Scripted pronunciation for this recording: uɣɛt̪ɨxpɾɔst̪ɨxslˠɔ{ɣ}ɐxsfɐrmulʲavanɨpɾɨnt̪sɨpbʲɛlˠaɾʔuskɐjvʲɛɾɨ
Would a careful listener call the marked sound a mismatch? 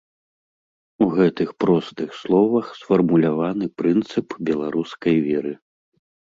yes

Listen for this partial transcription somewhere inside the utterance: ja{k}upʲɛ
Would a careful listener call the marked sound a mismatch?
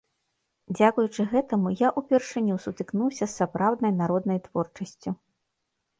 yes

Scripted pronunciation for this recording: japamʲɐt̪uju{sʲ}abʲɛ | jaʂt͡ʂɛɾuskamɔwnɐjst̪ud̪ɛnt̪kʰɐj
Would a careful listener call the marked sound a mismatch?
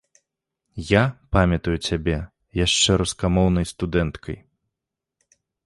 yes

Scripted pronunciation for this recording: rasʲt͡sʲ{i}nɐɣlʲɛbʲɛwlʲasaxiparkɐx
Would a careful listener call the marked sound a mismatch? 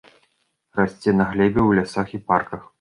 yes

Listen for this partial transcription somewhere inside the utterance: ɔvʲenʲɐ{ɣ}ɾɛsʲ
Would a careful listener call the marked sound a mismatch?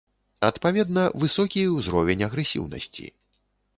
no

